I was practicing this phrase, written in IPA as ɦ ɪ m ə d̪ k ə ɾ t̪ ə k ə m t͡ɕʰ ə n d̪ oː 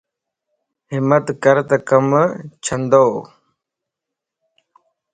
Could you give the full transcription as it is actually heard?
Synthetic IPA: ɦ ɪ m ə t̪ k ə ɾ t̪ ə k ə m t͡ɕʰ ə n d̪ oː